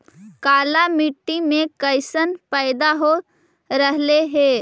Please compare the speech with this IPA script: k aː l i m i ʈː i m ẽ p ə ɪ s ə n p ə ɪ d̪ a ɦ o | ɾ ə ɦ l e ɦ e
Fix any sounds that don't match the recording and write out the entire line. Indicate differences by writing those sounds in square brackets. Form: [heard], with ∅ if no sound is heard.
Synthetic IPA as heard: k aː l [a] m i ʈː i m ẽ [k] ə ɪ s ə n p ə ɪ d̪ a ɦ o | ɾ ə ɦ l e ɦ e